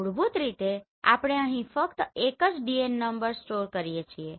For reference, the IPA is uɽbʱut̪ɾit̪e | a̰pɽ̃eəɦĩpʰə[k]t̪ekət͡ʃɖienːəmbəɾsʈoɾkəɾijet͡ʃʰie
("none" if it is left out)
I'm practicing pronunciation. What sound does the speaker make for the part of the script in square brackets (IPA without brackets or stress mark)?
k